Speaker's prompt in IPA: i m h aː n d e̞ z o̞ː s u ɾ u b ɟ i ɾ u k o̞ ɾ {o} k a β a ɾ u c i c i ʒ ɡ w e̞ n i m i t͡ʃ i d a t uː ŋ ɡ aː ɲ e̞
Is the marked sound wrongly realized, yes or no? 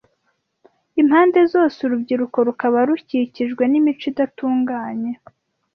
yes